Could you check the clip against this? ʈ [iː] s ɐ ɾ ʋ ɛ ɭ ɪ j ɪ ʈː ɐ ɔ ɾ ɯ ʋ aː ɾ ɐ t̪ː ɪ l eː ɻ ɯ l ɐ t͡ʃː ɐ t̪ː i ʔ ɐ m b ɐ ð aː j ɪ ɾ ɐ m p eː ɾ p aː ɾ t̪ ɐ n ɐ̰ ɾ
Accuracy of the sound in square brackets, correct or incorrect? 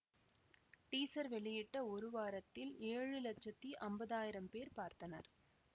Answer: correct